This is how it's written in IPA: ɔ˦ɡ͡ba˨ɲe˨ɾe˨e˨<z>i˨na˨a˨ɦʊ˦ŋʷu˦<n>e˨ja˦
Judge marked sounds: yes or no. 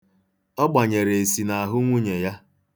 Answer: no, no

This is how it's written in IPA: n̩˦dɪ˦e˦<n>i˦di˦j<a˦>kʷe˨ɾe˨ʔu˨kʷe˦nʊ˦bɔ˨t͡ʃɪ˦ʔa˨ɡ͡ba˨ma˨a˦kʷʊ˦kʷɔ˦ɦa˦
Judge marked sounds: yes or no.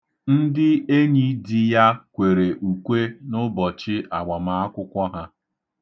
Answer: no, yes

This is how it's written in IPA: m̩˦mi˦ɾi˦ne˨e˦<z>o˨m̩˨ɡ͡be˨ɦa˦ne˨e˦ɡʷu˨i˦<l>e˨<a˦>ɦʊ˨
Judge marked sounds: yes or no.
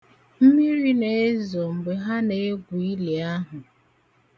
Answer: yes, yes, yes

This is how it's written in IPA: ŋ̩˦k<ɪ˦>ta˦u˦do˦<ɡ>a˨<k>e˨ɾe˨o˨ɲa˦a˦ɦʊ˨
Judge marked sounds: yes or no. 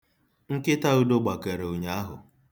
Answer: yes, no, yes

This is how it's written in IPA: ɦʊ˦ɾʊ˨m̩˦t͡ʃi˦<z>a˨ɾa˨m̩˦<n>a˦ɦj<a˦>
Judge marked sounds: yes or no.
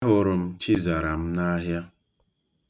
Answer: yes, yes, yes

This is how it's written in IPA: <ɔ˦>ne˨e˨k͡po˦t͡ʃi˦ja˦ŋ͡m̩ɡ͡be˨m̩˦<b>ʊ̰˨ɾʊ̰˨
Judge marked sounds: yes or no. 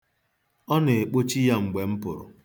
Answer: yes, no

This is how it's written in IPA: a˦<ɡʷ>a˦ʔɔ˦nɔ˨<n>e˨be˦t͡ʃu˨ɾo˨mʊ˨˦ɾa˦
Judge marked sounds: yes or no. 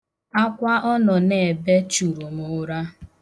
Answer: no, yes

